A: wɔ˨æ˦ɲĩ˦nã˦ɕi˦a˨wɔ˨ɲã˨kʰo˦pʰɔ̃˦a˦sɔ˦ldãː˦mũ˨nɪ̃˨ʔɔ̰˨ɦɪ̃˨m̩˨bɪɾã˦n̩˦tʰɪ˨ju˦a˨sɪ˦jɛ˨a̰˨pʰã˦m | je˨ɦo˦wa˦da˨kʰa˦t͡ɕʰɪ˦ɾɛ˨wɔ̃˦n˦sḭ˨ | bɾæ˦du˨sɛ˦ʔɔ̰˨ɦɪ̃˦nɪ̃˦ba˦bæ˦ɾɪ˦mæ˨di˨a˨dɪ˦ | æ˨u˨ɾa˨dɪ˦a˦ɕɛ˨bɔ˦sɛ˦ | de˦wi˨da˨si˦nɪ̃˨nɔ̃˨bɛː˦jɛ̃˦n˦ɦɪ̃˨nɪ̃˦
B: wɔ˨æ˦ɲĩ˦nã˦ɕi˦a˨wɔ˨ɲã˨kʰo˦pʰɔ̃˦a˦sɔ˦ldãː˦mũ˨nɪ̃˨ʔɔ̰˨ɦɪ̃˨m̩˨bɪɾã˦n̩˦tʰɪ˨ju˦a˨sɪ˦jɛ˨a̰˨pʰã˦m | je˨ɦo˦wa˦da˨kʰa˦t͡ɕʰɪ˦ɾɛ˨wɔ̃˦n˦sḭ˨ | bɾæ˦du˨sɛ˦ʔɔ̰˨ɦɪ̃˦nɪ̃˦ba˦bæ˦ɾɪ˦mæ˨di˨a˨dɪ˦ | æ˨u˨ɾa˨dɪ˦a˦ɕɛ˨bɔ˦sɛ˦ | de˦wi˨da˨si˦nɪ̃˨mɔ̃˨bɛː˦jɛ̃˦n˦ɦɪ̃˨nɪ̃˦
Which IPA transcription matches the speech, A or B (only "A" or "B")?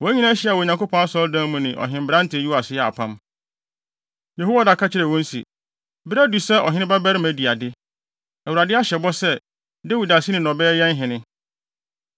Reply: A